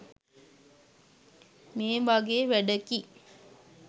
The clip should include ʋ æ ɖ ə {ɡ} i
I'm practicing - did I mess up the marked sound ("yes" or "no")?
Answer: yes